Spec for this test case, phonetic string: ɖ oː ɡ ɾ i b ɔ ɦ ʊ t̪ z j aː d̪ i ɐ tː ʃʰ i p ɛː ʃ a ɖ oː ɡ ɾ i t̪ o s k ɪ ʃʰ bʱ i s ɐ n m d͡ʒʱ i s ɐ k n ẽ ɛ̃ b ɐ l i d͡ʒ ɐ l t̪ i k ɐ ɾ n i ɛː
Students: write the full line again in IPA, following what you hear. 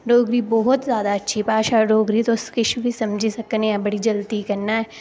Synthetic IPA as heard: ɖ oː ɡ ɾ i b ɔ ɦ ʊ t̪ z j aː d̪ a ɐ tː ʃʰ i p aː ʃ a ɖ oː ɡ ɾ i t̪ o s k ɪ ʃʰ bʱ i s ɐ m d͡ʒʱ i s ɐ k n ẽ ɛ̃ b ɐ ɽ i d͡ʒ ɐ l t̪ i k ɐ ɾ n a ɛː